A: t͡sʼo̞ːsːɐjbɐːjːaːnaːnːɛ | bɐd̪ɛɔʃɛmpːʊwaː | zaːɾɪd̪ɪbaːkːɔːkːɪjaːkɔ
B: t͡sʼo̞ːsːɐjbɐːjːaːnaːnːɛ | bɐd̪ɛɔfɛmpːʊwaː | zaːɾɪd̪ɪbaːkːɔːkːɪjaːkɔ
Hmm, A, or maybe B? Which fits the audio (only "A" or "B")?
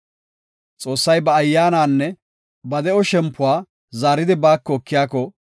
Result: A